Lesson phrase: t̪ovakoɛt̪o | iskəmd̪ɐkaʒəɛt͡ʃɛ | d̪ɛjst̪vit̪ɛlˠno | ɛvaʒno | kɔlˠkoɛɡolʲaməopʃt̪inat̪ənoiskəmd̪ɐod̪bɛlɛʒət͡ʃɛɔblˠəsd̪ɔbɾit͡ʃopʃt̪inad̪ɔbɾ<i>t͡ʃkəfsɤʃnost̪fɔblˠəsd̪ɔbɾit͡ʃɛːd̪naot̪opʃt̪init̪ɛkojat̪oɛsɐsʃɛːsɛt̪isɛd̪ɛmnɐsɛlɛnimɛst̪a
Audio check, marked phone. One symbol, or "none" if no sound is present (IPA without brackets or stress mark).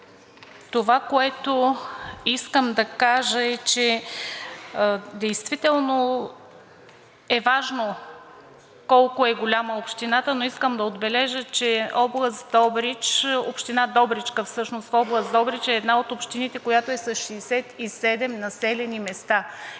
i